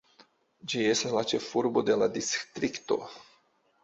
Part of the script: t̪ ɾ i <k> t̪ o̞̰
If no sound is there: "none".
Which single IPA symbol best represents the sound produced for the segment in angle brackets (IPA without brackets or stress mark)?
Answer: k